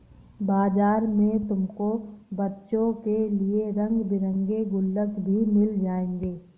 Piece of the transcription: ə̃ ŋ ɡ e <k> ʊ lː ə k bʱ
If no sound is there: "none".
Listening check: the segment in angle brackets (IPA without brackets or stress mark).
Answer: ɡ